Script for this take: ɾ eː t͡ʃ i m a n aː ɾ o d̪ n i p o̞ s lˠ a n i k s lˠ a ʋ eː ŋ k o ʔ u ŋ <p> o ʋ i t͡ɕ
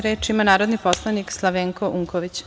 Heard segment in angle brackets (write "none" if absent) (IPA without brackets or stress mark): k